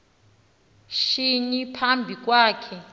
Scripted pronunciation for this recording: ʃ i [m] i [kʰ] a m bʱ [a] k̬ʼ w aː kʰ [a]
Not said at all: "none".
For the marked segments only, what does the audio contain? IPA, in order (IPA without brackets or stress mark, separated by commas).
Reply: ɲ, pʰ, i, ɛ